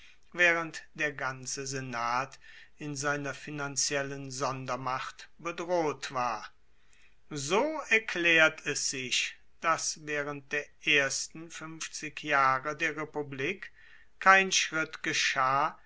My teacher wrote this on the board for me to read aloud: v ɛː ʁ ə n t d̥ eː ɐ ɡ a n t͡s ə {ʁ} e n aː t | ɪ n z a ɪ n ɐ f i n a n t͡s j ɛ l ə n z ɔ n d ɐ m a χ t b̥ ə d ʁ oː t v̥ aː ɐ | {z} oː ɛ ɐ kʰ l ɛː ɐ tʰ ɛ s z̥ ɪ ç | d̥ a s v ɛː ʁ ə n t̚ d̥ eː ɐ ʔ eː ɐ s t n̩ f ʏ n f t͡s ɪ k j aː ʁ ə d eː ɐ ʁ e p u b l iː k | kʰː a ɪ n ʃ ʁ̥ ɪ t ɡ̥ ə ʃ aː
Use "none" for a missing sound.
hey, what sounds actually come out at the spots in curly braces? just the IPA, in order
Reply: z, z

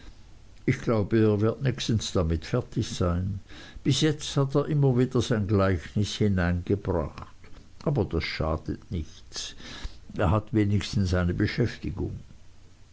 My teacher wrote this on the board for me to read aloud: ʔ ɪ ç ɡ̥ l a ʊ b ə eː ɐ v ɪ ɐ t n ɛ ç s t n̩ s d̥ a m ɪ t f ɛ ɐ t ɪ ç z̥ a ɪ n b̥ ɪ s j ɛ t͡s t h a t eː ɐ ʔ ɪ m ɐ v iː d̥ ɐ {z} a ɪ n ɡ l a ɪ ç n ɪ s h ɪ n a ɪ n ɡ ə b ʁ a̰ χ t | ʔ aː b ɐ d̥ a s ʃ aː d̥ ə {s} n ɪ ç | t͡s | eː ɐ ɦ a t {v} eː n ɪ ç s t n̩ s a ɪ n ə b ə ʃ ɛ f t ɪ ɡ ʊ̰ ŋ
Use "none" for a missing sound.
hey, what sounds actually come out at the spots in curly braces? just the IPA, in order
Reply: z, t, v

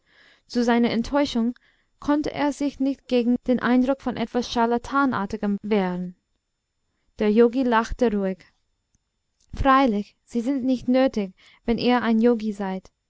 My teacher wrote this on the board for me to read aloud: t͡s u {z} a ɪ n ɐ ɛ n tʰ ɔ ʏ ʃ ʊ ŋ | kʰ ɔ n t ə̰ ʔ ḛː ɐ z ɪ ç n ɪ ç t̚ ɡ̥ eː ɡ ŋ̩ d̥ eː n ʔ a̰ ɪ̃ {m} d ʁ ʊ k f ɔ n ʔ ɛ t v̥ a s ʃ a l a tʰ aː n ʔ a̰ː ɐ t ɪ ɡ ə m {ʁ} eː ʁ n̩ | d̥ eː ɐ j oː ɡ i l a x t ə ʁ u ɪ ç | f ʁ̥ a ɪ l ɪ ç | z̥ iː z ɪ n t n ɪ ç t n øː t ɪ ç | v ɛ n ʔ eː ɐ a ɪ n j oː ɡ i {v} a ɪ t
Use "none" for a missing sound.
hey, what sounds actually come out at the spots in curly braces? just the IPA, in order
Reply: z, n, v, z

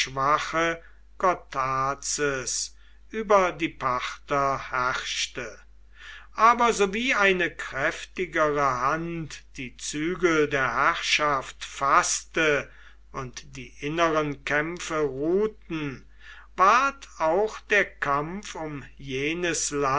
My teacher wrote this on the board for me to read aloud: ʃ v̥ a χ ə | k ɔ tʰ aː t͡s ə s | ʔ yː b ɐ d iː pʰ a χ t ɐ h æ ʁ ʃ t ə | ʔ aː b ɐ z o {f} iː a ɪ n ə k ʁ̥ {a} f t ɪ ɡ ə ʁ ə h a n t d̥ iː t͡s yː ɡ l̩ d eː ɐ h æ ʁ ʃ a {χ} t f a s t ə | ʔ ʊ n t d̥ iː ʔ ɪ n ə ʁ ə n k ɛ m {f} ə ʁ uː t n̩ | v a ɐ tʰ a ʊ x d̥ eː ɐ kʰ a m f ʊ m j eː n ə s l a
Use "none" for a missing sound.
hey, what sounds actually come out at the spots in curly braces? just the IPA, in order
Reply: v, ɛ, f, f

